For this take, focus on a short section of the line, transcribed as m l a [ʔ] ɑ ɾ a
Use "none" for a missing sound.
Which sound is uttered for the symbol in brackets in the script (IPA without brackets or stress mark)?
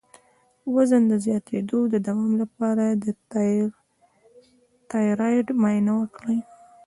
p